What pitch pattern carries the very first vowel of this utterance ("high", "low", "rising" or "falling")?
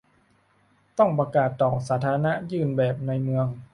falling